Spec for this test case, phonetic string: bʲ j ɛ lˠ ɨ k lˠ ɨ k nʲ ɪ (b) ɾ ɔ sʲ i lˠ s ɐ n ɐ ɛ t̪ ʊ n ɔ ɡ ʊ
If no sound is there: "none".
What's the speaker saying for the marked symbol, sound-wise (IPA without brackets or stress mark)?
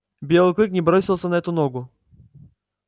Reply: b